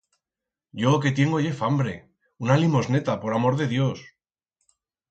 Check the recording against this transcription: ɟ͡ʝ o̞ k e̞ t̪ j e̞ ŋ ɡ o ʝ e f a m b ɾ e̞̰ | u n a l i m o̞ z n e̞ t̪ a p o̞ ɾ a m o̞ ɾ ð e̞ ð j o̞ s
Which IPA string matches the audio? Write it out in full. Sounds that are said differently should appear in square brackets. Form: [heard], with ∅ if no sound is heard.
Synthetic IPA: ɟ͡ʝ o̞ k e̞ t̪ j e̞ ŋ ɡ o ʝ e f a m b ɾ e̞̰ | u n a l i m o̞ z n e̞ t̪ a p o̞ ɾ a m o̞ ɾ ð e̞ ð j o̞ s